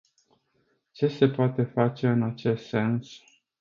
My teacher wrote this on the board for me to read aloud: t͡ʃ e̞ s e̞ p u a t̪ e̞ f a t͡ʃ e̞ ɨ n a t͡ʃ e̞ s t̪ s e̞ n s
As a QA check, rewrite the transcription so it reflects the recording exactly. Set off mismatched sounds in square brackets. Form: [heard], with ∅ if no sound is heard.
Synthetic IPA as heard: t͡ʃ e̞ s e̞ p [o] a t̪ e̞ f a t͡ʃ e̞ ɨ n a t͡ʃ e̞ s t̪ s e̞ n s